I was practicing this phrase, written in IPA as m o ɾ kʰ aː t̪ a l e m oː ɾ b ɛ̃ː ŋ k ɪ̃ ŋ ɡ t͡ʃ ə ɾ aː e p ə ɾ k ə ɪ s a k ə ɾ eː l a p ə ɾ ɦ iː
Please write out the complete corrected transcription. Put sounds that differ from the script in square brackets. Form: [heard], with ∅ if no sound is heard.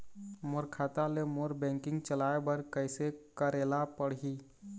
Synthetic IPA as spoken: m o ɾ kʰ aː t̪ a l e m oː ɾ b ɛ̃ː ŋ k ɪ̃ ŋ ɡ t͡ʃ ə [l] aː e [b] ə ɾ k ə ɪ s [e] k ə ɾ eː l a p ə [ɽ] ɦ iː